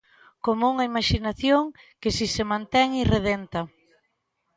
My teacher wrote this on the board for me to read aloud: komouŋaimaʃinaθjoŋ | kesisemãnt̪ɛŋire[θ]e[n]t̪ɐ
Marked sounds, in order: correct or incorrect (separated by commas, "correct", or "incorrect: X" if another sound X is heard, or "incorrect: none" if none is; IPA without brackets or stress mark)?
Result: incorrect: ð, correct